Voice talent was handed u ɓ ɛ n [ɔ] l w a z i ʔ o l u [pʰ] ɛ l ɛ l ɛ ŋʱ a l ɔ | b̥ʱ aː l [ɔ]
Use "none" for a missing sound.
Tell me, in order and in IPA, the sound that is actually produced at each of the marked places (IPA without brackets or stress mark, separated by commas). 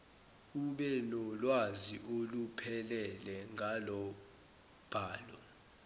ɔ, pʰ, ɔ